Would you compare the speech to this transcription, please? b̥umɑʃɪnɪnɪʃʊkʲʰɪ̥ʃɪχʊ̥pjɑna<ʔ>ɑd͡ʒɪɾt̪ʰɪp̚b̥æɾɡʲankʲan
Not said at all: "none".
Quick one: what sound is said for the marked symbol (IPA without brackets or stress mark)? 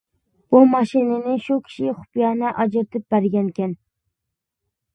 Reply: ʔ